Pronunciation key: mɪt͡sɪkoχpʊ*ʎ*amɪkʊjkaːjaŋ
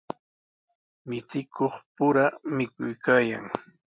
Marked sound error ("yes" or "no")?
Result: yes